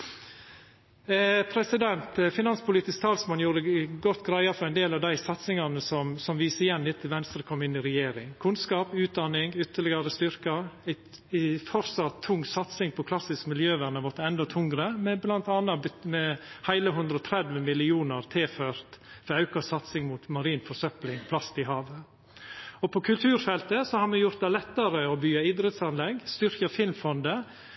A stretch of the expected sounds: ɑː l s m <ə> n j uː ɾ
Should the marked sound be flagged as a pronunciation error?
yes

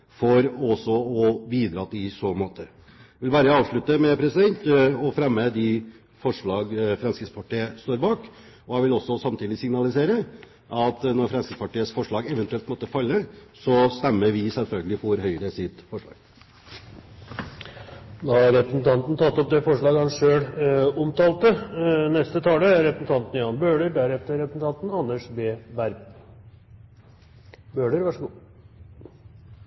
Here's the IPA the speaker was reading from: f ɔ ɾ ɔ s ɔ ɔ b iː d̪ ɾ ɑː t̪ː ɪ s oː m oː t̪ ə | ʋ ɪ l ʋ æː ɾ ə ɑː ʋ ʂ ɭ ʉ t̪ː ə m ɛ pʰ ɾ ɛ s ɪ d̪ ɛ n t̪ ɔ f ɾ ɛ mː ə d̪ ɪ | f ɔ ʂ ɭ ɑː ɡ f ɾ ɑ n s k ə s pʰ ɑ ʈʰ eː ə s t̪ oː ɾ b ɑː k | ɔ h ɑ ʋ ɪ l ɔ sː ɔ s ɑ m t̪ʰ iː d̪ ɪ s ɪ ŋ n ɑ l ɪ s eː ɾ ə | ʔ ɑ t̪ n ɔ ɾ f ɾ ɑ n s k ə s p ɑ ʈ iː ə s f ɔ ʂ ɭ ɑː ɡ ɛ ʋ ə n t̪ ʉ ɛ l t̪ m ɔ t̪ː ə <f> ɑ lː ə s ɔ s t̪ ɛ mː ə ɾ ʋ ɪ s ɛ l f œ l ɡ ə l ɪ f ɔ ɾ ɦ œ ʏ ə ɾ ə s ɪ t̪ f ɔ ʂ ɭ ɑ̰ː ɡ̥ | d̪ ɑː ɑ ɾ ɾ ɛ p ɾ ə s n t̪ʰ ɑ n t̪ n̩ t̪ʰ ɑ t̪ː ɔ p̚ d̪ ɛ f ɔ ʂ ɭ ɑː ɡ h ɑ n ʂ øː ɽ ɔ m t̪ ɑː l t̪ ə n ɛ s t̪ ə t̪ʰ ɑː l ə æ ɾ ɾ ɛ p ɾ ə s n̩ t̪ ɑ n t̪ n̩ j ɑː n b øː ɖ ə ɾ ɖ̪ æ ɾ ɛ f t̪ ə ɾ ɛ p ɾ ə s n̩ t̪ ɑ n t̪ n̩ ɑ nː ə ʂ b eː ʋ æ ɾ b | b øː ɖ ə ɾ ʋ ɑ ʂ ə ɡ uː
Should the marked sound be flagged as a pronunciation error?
no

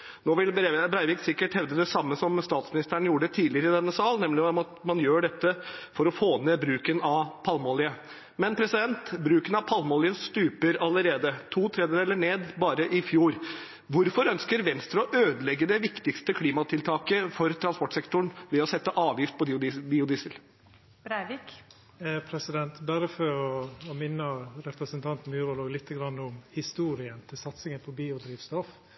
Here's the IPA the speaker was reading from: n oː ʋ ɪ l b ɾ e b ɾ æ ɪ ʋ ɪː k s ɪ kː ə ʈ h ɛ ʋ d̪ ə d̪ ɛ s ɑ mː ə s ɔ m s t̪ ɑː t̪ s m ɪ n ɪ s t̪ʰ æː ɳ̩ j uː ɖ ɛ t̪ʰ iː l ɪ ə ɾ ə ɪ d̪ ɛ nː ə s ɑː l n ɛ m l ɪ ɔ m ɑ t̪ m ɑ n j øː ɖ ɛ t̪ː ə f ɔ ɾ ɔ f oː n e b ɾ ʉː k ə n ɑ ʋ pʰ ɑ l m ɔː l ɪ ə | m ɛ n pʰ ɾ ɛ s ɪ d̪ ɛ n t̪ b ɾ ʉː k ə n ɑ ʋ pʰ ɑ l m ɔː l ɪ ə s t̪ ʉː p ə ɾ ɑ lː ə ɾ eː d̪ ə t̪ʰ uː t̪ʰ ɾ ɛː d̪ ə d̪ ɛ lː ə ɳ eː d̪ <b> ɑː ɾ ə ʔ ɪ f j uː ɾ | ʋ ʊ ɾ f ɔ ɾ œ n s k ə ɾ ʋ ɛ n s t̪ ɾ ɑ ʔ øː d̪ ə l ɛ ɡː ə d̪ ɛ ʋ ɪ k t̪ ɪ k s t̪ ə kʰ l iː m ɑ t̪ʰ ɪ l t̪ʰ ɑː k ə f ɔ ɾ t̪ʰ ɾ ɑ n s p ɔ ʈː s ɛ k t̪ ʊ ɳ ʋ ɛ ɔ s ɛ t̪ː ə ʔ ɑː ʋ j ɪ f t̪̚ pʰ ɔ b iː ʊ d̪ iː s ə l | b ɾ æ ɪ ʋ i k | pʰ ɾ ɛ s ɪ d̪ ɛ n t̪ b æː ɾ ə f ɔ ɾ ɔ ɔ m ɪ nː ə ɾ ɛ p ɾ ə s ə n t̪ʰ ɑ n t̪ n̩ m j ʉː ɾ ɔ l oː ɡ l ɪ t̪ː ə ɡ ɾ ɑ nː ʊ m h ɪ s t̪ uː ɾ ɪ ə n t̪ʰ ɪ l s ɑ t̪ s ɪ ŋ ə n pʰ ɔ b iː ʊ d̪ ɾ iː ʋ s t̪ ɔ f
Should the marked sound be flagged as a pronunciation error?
no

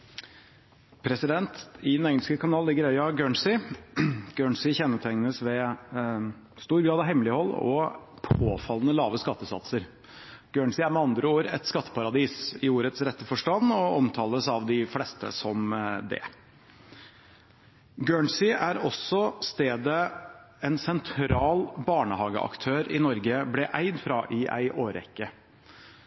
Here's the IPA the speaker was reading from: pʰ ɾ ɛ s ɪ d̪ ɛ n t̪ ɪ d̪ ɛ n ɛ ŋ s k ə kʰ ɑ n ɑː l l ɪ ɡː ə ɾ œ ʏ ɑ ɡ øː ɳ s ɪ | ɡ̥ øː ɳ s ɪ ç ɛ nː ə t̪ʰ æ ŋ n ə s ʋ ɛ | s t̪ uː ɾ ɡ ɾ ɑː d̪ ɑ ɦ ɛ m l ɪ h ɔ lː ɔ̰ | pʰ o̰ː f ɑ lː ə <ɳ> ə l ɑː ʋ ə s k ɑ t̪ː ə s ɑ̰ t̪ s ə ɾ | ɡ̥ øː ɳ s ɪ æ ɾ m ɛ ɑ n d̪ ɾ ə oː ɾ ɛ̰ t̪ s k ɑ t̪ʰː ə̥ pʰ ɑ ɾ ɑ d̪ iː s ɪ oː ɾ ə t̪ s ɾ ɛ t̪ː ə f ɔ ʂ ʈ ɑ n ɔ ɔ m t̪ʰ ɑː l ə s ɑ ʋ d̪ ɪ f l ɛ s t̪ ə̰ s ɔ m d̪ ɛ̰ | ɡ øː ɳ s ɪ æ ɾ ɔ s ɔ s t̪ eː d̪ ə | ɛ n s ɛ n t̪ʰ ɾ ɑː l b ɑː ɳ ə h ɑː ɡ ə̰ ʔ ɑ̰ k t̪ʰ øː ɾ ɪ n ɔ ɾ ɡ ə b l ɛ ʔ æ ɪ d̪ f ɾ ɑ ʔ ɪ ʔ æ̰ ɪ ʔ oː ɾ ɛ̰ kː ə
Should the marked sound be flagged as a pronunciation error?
yes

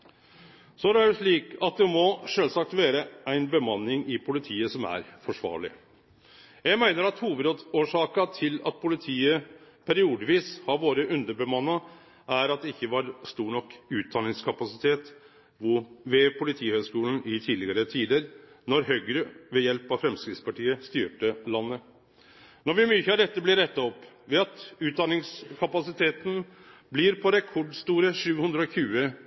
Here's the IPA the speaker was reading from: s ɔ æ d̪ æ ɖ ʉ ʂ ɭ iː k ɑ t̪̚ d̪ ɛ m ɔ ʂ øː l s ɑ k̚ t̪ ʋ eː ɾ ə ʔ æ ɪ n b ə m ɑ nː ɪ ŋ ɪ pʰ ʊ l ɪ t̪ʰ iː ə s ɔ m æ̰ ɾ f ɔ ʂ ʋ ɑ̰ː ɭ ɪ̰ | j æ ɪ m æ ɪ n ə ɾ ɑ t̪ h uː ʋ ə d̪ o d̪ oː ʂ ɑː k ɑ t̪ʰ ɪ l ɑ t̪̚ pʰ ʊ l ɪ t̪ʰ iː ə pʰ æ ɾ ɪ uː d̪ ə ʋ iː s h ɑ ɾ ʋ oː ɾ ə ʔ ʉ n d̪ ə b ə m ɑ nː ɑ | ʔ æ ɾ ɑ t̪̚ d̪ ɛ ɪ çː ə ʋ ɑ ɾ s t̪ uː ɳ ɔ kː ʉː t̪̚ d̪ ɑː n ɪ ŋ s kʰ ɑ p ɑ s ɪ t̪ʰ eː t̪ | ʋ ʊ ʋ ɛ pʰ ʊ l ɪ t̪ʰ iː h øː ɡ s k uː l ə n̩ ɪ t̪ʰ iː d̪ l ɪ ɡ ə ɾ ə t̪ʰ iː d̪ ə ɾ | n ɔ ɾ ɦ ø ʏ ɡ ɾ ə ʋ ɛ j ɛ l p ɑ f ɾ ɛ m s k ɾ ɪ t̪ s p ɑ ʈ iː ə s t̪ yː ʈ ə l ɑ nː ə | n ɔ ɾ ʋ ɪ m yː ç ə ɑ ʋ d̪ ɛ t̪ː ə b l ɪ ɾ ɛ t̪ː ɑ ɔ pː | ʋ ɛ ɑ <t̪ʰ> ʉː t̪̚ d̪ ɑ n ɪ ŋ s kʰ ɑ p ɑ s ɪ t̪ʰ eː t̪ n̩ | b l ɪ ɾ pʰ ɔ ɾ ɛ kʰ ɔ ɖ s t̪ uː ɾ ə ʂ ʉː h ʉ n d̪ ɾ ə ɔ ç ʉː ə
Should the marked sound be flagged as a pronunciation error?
yes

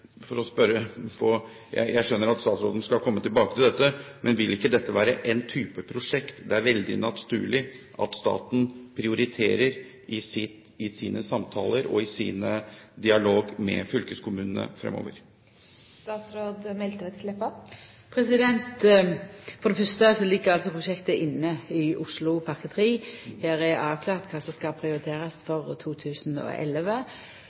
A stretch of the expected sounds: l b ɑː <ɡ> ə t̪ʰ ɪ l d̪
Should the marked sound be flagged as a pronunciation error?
yes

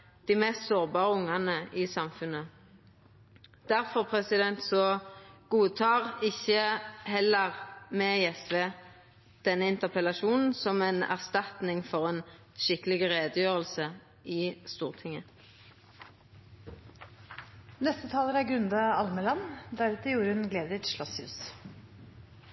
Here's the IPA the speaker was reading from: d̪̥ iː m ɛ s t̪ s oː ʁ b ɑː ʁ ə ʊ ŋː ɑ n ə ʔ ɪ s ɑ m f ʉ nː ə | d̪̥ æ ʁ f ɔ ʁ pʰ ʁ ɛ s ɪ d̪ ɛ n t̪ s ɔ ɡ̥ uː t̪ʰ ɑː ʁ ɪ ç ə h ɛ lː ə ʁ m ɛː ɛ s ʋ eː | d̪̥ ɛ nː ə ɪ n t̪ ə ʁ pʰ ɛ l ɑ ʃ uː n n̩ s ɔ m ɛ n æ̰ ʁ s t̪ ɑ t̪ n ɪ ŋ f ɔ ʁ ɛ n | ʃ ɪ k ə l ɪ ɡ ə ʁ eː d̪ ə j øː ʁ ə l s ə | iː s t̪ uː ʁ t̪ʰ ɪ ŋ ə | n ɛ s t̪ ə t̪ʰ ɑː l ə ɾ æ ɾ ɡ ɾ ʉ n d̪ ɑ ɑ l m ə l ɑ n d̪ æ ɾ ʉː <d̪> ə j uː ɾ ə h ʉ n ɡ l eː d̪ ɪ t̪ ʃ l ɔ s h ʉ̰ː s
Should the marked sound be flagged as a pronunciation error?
yes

